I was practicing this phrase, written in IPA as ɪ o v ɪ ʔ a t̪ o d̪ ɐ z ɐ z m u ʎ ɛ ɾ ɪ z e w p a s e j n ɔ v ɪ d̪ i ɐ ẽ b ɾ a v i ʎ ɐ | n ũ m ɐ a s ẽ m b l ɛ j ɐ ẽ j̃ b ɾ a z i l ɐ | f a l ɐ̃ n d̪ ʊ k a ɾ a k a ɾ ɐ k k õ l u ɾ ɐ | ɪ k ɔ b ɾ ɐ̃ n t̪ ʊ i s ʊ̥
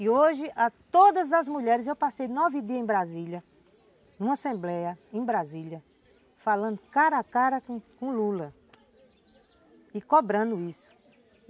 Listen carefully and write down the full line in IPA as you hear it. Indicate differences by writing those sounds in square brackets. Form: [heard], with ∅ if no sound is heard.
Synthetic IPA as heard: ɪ o [ʒ] ɪ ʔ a t̪ o d̪ ɐ z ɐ z m u ʎ ɛ ɾ ɪ z e w p a s e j n ɔ v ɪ d̪ i ɐ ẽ b ɾ a [z] i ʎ ɐ | n ũ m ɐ a s ẽ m b l ɛ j ɐ ẽ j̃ b ɾ a z i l ɐ | f a l ɐ̃ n d̪ ʊ k a ɾ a k a ɾ ɐ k k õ l u [l] ɐ | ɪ k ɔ b ɾ ɐ̃ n [d̪] ʊ i s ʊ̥